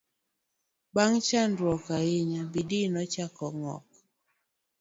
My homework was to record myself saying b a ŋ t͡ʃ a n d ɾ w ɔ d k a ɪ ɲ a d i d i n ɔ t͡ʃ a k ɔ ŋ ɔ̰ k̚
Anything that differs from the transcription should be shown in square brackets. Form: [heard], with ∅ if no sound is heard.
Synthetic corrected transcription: b a ŋ t͡ʃ a n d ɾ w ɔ [∅] k a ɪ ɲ a [b] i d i n ɔ t͡ʃ a k ɔ ŋ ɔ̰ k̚